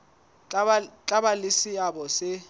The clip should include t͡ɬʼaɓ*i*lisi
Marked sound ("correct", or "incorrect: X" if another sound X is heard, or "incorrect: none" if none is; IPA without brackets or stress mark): incorrect: a